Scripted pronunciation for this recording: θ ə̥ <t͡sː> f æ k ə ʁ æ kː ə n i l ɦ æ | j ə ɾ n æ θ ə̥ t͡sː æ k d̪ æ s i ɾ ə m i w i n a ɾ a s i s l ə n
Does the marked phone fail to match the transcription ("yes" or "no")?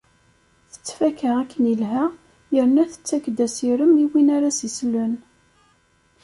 no